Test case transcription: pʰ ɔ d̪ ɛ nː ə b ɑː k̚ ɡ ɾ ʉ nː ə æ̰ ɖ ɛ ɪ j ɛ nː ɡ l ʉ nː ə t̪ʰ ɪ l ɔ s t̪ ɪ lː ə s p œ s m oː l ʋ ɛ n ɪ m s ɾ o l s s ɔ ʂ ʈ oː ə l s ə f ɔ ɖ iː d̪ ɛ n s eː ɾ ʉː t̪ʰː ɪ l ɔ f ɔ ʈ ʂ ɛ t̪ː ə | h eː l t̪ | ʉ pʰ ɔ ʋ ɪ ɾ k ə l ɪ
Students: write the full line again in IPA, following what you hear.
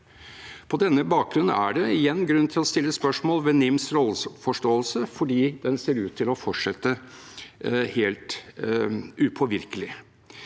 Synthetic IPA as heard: pʰ ɔ d̪ ɛ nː ə b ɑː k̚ ɡ ɾ ʉ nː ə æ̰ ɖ ɛ ɪ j ɛ nː ɡ ɾ ʉ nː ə t̪ʰ ɪ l ɔ s t̪ ɪ lː ə s p œ ʂ m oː l ʋ ɛ n ɪ m s ɾ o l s f ɔ ʂ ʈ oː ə l s ə f ɔ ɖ iː d̪ ɛ n s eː ɾ ʉː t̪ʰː ɪ l ɔ f ɔ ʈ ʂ ɛ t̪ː ə | h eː l t̪ | ʉ pʰ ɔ ʋ ɪ ɾ k ə l ɪ

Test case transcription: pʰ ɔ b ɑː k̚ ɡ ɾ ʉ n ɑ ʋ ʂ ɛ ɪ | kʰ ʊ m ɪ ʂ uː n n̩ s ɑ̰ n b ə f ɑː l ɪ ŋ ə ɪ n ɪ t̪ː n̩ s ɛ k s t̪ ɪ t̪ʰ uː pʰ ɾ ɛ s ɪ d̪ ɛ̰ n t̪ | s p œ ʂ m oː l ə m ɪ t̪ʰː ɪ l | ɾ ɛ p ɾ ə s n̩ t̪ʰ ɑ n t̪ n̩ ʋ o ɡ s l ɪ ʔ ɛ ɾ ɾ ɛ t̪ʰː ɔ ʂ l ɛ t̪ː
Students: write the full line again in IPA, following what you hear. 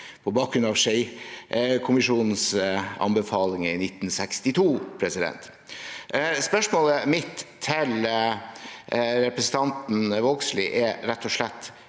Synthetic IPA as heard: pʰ ɔ b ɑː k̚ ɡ ɾ ʉ n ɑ ʋ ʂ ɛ ɪ | kʰ ʊ m ɪ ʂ uː n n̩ s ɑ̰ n b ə f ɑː l ɪ ŋ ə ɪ n ɪ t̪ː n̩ s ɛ k s t̪ ɪ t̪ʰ uː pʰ ɾ ɛ s ɪ d̪ ɛ̰ n t̪ | s p œ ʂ m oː l ə m ɪ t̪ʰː ɪ l | ɾ ɛ p ɾ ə s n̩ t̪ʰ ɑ n t̪ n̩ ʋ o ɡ s l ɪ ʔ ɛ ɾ ɾ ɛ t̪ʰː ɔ ʂ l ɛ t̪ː

